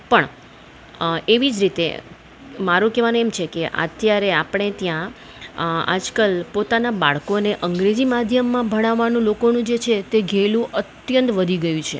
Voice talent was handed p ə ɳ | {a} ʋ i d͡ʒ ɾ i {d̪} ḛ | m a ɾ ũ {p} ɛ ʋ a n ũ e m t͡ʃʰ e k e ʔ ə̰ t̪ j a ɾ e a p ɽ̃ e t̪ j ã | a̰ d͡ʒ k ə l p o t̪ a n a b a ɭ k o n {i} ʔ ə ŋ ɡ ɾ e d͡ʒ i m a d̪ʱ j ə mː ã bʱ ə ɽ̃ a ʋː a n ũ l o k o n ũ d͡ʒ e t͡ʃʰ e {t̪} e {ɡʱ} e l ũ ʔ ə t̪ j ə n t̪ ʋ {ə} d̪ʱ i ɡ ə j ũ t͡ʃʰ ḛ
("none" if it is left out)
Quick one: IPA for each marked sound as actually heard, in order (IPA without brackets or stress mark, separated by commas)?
e, t̪, k, e, t̪, ɡʱ, ə